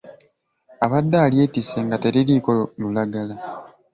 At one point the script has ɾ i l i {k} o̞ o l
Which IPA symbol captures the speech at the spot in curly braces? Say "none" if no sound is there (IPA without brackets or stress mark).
k